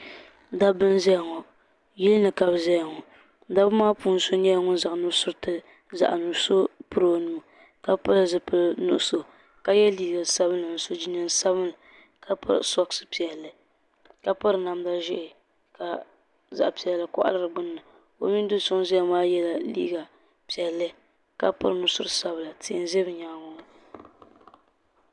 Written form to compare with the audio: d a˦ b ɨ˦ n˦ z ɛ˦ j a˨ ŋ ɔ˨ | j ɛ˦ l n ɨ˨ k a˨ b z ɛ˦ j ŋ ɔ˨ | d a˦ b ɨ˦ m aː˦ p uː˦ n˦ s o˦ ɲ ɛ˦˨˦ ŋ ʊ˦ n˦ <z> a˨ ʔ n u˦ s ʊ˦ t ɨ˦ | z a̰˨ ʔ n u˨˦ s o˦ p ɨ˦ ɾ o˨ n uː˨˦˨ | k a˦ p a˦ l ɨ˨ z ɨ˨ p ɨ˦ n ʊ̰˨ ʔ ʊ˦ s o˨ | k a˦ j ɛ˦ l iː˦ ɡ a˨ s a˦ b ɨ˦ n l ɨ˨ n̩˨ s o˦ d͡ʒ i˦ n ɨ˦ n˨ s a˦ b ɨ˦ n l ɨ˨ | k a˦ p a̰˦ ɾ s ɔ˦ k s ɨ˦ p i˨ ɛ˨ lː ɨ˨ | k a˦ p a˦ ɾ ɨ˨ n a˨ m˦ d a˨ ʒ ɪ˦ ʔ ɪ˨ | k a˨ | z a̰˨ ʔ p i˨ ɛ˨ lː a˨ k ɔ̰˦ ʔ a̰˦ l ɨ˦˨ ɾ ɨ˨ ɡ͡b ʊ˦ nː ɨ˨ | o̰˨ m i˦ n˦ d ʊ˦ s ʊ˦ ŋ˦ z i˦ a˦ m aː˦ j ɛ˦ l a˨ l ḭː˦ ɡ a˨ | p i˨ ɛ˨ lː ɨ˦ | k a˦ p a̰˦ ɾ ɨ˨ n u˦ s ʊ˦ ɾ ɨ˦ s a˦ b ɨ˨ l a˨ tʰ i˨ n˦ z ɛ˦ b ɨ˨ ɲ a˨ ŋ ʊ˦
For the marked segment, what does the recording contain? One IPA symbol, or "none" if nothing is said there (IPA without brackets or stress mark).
z